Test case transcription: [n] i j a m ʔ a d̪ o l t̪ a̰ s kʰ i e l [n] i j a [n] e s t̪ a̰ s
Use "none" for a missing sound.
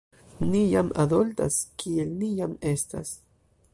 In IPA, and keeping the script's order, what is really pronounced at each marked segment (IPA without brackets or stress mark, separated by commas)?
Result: n, n, m